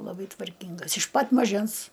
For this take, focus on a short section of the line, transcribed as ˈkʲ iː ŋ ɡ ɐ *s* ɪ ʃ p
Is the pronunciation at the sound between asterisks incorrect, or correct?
correct